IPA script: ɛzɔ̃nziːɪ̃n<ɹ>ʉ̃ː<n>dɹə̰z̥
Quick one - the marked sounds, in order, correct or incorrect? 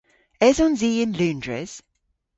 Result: incorrect: l, correct

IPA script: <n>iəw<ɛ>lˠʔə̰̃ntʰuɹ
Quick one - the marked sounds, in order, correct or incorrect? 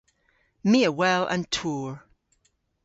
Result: incorrect: m, correct

